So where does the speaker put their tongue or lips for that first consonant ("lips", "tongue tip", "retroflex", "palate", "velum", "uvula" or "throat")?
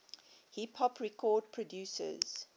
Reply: throat